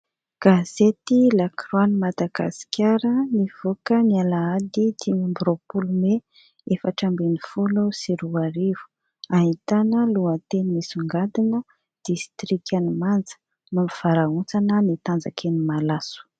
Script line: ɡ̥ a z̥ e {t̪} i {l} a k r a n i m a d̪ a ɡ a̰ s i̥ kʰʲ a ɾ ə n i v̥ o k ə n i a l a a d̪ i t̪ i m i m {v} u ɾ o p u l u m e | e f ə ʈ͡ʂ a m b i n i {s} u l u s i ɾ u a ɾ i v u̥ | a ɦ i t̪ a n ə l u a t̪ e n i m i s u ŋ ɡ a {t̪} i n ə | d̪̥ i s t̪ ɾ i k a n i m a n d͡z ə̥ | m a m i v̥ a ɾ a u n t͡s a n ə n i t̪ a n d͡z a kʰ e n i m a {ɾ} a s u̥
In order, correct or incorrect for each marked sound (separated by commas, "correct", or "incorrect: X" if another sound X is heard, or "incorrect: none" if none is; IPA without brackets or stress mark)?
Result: correct, correct, incorrect: b, incorrect: f, incorrect: d̪, incorrect: l